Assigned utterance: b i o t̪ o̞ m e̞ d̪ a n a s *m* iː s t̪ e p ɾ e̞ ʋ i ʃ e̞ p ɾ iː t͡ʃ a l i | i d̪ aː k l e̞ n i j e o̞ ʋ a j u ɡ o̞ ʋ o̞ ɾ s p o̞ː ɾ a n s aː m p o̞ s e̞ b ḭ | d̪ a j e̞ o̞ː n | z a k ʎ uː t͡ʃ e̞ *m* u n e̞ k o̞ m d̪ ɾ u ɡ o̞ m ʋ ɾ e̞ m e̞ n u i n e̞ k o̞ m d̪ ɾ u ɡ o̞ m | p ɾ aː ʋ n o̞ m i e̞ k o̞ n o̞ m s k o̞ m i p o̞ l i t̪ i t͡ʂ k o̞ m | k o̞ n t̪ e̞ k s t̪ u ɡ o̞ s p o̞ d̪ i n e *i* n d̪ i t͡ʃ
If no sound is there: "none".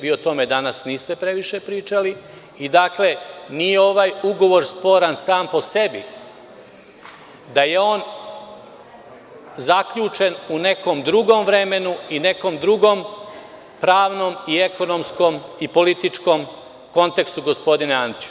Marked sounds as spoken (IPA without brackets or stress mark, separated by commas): n, n, a